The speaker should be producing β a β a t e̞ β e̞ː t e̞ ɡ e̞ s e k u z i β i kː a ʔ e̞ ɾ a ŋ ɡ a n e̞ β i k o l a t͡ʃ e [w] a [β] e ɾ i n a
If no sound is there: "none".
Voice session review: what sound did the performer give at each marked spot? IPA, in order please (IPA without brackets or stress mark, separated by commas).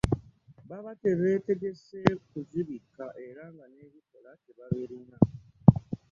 β, β